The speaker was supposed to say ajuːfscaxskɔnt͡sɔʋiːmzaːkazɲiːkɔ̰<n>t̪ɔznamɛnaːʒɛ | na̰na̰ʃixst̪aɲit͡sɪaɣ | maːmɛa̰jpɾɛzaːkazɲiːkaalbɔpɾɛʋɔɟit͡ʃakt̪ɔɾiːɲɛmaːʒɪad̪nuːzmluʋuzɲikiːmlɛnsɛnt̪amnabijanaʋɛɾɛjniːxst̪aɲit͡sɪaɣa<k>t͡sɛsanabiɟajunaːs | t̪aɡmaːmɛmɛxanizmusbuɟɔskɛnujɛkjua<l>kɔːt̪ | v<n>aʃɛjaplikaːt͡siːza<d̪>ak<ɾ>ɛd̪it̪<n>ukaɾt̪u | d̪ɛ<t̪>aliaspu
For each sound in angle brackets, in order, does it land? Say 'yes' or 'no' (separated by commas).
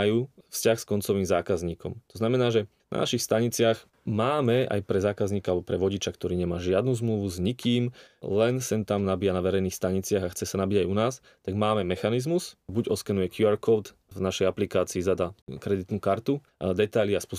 no, no, no, yes, yes, yes, yes, yes